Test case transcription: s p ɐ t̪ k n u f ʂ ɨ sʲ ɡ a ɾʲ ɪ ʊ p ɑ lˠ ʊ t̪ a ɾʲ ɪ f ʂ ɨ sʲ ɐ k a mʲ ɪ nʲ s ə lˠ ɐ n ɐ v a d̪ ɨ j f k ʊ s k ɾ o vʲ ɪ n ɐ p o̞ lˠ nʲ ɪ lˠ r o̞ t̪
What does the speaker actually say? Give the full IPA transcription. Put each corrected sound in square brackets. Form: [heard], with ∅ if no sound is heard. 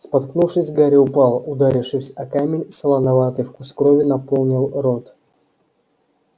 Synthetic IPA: s p ɐ t̪ k n u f ʂ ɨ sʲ ɡ a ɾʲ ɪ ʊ p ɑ lˠ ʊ [d̪] a ɾʲ ɪ f ʂ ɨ sʲ ɐ k a mʲ ɪ nʲ s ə lˠ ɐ n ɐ v a [t̪] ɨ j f k ʊ s k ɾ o vʲ ɪ n ɐ p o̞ lˠ nʲ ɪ lˠ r o̞ t̪